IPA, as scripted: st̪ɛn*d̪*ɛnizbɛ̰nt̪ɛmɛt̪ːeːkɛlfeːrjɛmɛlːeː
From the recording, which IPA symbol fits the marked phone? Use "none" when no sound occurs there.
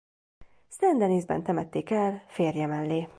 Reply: d̪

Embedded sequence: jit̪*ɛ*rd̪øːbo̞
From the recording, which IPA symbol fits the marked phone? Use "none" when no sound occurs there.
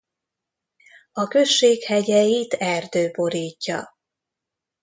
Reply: ɛ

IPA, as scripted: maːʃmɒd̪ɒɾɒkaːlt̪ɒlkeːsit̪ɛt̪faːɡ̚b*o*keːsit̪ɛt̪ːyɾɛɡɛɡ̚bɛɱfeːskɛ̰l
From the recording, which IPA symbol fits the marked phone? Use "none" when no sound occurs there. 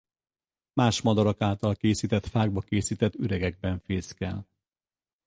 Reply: ɒ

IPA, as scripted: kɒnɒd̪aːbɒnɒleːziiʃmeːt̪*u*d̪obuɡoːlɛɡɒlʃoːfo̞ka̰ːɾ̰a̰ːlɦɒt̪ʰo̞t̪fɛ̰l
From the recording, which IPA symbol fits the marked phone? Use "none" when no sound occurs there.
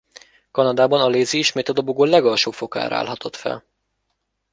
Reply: ɒ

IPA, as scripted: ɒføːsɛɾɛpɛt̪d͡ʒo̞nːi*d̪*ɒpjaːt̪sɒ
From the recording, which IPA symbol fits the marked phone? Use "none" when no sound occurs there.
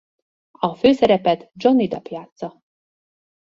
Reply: d̪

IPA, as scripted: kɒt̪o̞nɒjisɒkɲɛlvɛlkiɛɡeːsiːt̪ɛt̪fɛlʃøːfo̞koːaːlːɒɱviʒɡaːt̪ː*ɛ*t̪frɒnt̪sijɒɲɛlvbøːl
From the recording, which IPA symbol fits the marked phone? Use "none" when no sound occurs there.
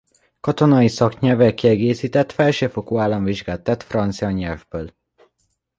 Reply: ɛ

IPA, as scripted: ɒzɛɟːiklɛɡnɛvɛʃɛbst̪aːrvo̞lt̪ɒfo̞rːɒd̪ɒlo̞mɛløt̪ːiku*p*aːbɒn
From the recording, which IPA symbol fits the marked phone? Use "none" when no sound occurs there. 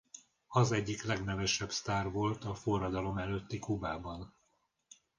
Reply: b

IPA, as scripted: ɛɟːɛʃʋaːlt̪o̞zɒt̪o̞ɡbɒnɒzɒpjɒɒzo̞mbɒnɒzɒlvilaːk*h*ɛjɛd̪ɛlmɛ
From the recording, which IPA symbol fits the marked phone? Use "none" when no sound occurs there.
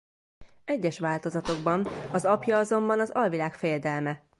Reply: f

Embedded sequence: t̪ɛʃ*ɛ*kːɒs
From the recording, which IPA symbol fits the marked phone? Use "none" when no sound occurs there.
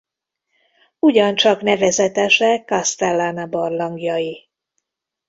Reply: ɛ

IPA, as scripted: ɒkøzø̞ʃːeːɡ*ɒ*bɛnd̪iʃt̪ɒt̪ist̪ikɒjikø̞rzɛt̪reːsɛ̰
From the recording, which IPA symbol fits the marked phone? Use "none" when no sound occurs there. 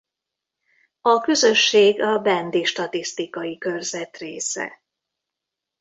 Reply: ɒ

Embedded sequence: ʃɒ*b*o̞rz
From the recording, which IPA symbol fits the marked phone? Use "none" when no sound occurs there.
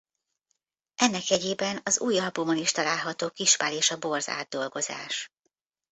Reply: b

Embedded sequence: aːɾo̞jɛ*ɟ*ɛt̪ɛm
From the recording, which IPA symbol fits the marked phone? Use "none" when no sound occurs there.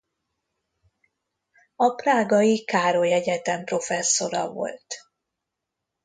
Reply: ɟ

